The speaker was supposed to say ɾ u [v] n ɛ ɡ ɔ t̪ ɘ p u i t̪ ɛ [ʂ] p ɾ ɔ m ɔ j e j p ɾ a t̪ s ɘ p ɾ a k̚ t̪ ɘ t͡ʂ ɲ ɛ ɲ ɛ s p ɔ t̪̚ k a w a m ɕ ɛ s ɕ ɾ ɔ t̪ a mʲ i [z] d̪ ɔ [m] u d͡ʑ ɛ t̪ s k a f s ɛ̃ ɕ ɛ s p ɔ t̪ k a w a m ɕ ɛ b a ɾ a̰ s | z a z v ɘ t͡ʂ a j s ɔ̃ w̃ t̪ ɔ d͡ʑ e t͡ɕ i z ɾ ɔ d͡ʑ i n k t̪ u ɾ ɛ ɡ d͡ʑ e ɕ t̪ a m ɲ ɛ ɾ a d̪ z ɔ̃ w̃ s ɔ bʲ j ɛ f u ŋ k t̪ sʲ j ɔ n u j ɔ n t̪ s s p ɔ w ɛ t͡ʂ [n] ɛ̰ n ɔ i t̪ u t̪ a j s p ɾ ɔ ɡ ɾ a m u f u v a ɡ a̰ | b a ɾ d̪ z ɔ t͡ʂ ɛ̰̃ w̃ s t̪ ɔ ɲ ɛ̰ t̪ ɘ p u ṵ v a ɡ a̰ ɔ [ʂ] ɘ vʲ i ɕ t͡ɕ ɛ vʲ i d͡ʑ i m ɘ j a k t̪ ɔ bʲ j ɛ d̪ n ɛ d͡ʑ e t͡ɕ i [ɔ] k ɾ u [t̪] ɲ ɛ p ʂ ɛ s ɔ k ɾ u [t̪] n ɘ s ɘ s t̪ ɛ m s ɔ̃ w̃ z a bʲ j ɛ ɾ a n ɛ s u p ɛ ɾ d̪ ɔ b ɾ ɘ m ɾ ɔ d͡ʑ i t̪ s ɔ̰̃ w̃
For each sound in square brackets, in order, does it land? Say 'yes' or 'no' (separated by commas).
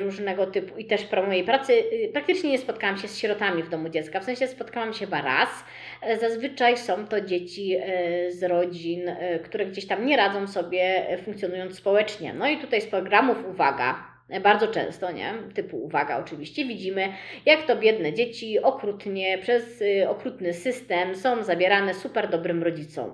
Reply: no, yes, no, yes, no, no, yes, yes, yes